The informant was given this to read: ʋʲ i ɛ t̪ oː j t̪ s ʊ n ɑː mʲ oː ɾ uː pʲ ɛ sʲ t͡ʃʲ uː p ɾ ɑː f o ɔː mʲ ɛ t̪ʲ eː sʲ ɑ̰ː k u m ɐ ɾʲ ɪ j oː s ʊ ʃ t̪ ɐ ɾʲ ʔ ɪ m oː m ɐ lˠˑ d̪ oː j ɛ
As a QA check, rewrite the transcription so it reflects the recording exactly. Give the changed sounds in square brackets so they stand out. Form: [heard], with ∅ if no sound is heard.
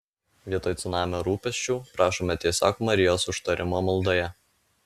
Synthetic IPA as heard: ʋʲ i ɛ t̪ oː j t̪ s ʊ n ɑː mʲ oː ɾ uː pʲ ɛ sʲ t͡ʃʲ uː p ɾ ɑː [ʃ] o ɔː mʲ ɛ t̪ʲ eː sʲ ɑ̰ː k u m ɐ ɾʲ ɪ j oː s ʊ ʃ t̪ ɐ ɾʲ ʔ ɪ m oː m ɐ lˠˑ d̪ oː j ɛ